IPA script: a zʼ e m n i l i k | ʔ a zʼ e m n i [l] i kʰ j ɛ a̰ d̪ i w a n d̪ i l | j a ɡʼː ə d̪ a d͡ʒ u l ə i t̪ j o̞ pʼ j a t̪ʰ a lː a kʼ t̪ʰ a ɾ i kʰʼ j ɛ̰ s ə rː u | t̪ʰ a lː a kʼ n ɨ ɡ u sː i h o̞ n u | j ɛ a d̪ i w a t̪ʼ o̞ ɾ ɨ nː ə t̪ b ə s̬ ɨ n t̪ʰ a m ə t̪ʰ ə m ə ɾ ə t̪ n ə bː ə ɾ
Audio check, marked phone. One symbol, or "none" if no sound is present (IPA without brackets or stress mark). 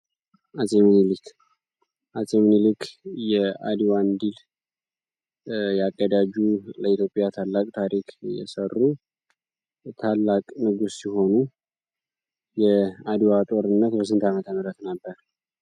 l